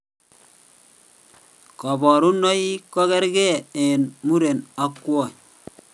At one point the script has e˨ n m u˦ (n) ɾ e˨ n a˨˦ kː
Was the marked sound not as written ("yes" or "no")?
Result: yes